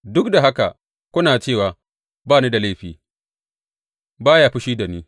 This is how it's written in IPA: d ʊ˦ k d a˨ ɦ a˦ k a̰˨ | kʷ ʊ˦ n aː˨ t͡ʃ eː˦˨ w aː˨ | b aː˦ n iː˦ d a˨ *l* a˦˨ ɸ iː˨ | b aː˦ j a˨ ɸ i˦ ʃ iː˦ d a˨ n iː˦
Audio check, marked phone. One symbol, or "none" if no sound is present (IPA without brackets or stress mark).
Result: l